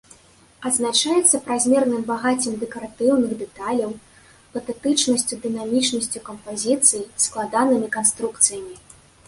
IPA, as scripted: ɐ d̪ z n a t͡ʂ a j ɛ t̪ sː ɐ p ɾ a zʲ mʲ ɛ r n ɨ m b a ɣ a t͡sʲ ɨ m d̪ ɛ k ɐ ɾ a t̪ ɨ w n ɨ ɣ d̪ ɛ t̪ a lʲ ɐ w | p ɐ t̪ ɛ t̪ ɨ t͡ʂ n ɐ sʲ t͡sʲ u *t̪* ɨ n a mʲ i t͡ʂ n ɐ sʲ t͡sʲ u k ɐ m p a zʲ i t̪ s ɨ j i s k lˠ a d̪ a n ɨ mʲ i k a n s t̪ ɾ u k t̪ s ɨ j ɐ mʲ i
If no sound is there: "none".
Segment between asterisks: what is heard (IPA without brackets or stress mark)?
d̪